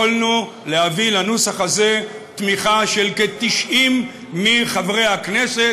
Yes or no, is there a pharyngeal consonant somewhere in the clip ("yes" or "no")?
no